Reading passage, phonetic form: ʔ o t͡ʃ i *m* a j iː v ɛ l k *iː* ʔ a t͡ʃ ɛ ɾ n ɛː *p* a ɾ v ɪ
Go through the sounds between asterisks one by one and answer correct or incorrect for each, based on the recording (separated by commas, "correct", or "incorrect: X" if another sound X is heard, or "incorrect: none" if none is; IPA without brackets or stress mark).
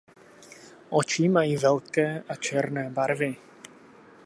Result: correct, incorrect: ɛː, incorrect: b